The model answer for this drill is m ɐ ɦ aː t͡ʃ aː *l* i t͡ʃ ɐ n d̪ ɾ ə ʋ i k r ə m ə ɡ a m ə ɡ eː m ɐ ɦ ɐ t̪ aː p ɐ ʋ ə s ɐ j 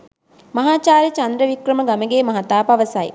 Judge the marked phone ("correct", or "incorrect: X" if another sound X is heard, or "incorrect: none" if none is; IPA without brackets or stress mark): incorrect: ɾ